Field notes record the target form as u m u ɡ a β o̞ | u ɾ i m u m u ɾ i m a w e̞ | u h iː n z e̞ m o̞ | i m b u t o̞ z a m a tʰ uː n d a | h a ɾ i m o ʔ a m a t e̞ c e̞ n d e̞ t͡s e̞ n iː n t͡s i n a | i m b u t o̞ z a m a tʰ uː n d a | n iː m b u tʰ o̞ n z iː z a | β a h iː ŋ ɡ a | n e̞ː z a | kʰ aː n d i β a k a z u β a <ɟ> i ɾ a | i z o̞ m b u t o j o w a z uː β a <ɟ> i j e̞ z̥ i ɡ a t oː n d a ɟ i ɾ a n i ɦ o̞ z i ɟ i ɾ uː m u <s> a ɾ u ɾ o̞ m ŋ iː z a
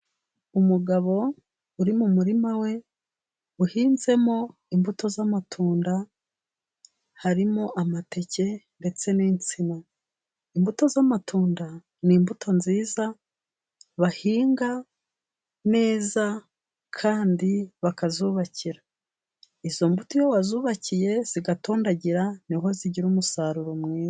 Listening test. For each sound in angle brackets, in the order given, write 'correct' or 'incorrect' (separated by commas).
incorrect, incorrect, correct